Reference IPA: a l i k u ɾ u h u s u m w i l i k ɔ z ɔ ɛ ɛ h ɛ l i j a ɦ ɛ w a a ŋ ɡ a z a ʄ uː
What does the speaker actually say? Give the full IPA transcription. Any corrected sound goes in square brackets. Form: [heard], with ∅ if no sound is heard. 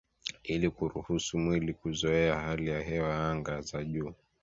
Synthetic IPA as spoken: [i] l i k u ɾ u h u s u m w i l i k [u] z ɔ ɛ [a] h [a] l i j a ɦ ɛ w a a ŋ ɡ a z a ʄ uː